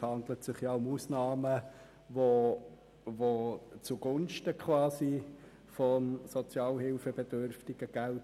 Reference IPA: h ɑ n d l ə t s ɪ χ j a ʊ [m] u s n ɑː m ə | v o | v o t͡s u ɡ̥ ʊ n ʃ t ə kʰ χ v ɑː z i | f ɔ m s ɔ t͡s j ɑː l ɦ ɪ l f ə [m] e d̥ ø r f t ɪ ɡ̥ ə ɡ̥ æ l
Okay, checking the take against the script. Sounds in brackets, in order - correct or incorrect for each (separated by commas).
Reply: correct, incorrect